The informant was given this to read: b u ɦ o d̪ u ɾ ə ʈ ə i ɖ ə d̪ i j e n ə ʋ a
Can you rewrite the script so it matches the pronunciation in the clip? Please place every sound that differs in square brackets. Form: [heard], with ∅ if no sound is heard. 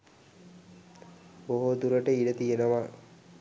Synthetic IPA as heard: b [o] ɦ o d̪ u ɾ ə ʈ ə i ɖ ə [t̪] i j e n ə ʋ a